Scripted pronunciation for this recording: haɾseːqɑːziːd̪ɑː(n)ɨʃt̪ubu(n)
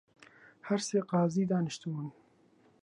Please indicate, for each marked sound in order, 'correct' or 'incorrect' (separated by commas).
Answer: correct, correct